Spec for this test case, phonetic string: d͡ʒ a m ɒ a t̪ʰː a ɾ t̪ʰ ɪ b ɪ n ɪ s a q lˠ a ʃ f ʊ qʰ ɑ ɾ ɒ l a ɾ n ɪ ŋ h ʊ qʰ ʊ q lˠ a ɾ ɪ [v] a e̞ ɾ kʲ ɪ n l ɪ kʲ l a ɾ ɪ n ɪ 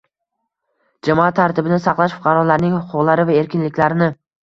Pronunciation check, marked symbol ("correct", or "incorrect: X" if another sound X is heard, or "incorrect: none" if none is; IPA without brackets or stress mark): correct